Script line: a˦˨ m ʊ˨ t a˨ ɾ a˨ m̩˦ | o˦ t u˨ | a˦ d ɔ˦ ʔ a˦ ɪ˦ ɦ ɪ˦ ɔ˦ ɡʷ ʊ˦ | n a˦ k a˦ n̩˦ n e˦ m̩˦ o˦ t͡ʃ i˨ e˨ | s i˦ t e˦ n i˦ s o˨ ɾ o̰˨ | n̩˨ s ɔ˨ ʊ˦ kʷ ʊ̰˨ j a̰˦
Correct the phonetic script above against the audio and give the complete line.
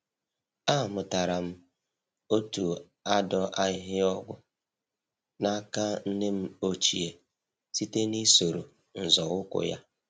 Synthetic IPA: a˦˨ m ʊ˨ t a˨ ɾ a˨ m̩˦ | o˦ t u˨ | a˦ d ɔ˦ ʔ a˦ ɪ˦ ɦ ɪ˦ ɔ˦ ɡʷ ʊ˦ | n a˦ k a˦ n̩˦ n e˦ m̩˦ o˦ t͡ʃ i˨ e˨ | s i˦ t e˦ n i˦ s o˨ ɾ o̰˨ | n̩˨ z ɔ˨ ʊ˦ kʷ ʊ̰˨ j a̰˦

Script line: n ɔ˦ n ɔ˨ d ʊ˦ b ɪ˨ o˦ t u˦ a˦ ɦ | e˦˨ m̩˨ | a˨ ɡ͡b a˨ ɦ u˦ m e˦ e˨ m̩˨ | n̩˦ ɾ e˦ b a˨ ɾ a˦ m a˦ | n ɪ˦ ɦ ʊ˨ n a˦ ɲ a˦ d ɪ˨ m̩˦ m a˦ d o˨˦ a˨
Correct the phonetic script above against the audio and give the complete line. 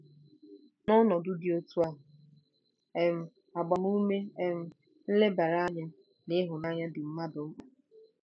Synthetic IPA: n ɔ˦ n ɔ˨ d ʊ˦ d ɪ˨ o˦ t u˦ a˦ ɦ | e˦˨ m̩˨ | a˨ ɡ͡b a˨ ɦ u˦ m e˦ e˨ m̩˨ | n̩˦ l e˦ b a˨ ɾ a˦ ɲ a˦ | n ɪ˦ ɦ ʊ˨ n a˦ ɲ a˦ d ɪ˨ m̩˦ m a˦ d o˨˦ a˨

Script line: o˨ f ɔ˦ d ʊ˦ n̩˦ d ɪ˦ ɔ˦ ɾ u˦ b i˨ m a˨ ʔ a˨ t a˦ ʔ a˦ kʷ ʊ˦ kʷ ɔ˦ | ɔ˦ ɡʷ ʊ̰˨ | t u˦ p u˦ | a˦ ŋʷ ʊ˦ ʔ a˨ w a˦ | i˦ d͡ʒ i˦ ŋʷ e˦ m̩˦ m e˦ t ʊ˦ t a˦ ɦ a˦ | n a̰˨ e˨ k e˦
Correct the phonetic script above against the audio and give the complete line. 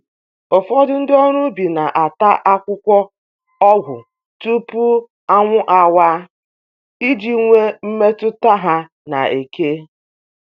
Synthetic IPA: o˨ f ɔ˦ d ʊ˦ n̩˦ d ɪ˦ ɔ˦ ɾ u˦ b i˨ n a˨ ʔ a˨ t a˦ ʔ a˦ kʷ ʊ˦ kʷ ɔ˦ | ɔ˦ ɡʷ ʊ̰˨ | t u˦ p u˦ | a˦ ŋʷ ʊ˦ ʔ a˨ w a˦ | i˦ d͡ʒ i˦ ŋʷ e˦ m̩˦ m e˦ t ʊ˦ t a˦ ɦ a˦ | n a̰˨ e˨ k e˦

